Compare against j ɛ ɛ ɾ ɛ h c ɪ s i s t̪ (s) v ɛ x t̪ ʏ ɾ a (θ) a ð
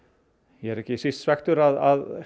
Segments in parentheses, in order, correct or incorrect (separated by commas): correct, incorrect